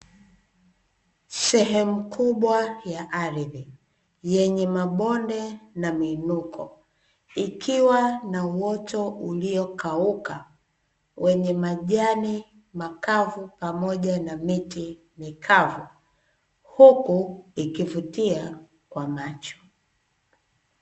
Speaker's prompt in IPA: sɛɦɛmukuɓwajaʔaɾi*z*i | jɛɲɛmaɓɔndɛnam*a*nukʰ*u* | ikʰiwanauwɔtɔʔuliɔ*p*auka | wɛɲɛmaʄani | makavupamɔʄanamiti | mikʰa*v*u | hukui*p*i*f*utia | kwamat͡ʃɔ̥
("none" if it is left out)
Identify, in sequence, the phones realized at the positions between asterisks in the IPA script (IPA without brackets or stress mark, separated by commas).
ð, i, ɔ, k, v, k, v